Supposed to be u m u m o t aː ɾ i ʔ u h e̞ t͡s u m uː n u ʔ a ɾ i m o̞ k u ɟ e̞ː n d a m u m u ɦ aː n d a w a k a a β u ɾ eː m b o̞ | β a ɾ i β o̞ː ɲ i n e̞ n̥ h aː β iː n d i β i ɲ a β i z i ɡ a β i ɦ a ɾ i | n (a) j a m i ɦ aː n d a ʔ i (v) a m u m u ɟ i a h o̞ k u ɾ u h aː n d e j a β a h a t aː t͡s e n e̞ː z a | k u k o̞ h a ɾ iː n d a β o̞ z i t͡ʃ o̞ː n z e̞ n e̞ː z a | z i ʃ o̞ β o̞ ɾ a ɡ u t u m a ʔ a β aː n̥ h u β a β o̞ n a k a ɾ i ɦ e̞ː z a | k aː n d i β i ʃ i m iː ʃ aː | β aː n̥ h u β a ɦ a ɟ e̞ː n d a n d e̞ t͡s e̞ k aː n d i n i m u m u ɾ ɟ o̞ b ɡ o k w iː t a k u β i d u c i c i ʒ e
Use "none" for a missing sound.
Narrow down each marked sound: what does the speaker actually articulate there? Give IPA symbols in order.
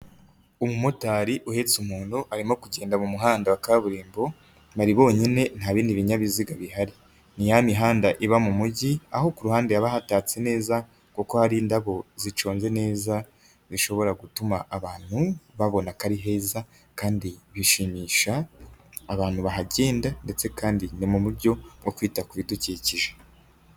i, β

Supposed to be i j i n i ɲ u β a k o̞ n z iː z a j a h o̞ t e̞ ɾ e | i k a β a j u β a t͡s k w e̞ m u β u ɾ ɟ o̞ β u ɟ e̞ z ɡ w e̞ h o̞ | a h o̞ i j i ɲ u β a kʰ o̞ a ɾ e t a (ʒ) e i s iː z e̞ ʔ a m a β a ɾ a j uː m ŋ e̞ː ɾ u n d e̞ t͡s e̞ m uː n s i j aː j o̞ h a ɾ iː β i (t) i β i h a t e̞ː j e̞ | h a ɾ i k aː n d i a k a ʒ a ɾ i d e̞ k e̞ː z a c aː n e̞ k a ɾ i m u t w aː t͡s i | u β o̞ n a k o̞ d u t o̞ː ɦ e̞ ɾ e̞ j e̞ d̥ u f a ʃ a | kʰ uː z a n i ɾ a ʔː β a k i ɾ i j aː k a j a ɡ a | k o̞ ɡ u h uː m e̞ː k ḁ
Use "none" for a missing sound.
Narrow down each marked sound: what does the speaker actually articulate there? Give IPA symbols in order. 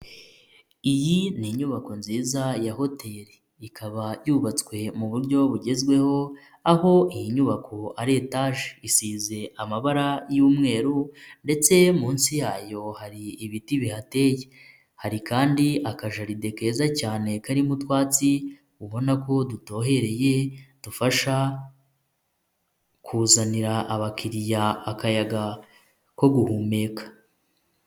ʒ, t

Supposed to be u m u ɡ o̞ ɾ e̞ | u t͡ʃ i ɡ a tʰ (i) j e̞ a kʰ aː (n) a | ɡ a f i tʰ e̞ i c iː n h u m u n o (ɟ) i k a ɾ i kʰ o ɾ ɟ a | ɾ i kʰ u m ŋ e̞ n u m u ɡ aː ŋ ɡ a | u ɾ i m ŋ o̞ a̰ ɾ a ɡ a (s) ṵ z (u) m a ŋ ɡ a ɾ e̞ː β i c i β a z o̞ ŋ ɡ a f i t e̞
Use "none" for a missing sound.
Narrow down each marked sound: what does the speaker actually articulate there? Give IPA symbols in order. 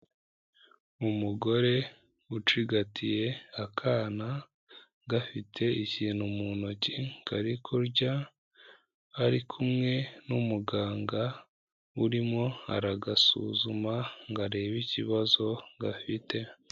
i, n, c, s, u

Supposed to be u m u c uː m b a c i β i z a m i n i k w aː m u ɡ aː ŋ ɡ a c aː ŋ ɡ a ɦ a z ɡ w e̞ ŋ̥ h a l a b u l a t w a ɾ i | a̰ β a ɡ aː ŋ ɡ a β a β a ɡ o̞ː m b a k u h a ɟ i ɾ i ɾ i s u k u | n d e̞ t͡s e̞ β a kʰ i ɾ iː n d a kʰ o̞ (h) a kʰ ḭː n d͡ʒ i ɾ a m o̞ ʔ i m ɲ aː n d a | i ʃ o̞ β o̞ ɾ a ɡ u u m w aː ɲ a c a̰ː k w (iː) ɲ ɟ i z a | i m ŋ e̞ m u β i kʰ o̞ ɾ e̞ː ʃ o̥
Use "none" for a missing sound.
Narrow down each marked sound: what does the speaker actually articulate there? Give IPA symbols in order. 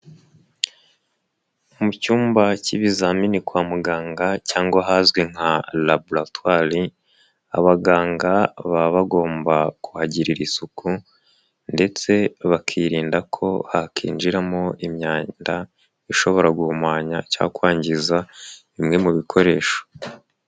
h, aː

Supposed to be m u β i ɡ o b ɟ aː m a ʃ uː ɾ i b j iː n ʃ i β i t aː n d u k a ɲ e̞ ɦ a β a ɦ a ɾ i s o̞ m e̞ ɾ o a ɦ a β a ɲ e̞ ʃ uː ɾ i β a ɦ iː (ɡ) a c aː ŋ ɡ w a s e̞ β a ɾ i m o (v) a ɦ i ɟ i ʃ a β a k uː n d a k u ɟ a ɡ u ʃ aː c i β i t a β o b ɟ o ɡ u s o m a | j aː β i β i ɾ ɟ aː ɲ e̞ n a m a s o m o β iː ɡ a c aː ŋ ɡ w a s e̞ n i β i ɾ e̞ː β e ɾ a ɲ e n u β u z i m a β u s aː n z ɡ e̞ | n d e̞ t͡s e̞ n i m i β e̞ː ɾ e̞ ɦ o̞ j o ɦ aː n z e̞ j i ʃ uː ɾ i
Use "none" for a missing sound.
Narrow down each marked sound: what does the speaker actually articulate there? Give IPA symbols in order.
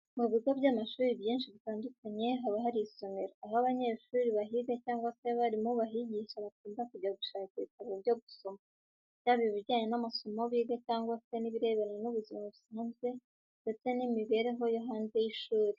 ɡ, β

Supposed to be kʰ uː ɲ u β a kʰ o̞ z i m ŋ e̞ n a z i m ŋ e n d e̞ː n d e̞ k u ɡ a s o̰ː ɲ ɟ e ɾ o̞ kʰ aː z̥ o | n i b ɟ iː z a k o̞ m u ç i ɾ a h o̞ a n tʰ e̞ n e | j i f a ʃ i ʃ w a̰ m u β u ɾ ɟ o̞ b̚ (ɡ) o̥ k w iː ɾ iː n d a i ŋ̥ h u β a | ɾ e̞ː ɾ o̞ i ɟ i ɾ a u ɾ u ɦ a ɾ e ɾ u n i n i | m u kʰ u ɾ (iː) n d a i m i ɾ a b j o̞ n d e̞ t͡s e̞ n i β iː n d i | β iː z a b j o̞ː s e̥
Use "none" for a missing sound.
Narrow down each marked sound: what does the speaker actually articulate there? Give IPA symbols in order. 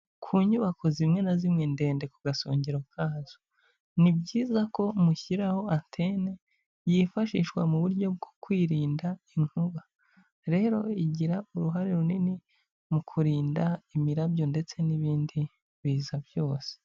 ɡ, iː

